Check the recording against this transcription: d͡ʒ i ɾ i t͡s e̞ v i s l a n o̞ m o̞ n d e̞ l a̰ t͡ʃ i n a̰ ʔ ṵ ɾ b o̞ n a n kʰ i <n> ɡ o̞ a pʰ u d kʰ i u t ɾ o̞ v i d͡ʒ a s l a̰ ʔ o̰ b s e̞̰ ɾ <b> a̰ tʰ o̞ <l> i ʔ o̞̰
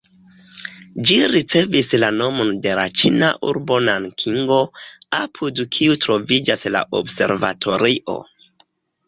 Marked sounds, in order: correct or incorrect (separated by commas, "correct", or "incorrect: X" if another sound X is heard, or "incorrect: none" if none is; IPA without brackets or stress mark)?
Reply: incorrect: ŋ, incorrect: v, incorrect: ɾ